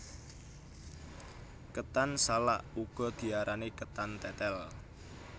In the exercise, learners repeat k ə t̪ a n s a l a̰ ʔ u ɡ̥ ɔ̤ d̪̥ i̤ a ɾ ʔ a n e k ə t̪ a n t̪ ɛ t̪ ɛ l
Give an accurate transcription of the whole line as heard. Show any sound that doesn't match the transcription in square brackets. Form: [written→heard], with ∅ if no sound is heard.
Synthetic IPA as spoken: k ə t̪ a n s a l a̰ ʔ u ɡ̥ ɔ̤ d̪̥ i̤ a ɾ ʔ a n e k ə t̪ a n t̪ ɛ t̪ ɛ l